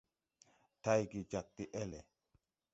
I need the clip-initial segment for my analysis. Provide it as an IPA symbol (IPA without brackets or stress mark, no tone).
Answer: t